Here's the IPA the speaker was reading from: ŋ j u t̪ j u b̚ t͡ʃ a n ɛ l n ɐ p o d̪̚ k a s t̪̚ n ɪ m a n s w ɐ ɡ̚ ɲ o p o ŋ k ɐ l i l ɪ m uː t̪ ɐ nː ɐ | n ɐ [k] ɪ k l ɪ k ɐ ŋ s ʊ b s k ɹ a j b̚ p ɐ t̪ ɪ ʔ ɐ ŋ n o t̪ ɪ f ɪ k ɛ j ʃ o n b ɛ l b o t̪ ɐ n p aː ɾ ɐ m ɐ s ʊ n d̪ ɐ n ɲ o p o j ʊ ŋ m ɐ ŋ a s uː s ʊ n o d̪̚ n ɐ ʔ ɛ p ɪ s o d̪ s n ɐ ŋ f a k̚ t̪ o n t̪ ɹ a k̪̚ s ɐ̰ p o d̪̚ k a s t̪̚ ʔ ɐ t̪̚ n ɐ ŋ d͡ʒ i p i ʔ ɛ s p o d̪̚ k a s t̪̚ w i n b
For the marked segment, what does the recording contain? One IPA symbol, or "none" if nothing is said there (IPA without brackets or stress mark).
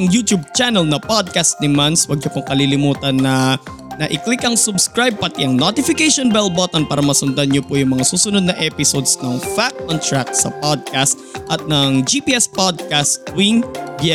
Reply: ʔ